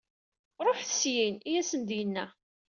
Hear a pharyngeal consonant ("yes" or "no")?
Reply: yes